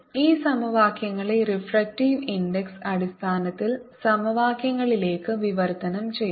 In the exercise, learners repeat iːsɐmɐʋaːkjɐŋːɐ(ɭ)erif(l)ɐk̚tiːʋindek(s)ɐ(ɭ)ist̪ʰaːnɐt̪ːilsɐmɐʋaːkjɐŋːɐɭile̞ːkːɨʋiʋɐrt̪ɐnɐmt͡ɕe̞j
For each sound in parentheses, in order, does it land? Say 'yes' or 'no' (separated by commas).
yes, no, yes, no